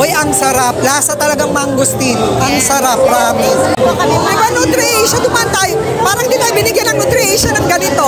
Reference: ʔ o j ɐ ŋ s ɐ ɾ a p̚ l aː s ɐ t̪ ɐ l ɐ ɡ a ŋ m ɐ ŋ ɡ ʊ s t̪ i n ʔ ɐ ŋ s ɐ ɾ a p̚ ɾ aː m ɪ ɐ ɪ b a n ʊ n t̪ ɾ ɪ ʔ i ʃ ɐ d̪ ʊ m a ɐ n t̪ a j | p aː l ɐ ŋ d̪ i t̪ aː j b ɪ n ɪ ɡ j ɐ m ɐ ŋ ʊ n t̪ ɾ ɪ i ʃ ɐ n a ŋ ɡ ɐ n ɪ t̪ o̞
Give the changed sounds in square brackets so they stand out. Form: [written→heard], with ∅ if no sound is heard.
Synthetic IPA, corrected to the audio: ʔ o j ɐ ŋ s ɐ ɾ a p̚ l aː s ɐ t̪ ɐ l ɐ ɡ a ŋ m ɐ ŋ ɡ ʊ s t̪ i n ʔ ɐ ŋ s ɐ ɾ a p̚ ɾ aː m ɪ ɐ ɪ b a n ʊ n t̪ ɾ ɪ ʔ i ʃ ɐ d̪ ʊ m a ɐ n t̪ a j | p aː [l→ɾ] ɐ ŋ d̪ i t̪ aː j b ɪ n ɪ ɡ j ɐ [m→n] ɐ ŋ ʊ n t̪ ɾ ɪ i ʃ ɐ n [a→ɐ] ŋ ɡ ɐ n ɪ t̪ o̞